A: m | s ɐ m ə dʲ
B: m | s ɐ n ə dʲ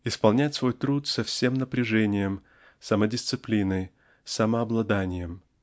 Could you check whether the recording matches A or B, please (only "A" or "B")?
A